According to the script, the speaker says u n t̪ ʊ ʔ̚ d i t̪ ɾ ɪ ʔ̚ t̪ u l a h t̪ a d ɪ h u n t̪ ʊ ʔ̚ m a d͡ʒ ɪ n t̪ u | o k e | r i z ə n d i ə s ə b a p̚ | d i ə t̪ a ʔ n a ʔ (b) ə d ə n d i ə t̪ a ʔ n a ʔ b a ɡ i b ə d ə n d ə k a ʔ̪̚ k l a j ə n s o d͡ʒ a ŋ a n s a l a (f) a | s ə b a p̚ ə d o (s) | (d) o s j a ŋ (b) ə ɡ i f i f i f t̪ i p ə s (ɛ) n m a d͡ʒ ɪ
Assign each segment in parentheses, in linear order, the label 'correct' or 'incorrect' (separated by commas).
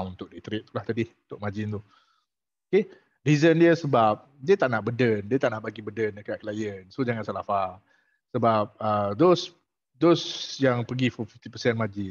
correct, correct, correct, correct, incorrect, correct